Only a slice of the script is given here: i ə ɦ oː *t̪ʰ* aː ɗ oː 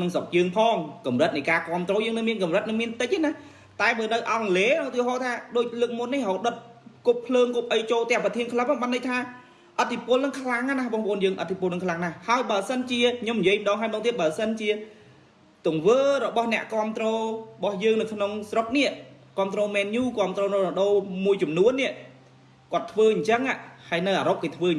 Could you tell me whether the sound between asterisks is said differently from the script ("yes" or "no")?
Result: no